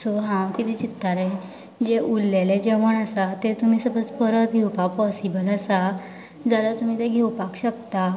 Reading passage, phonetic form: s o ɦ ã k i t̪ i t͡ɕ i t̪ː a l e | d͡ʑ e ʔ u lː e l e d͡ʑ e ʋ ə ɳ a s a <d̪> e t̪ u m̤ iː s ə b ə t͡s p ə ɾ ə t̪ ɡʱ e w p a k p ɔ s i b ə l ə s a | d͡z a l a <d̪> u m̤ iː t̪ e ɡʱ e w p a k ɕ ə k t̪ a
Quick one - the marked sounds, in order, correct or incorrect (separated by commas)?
incorrect, incorrect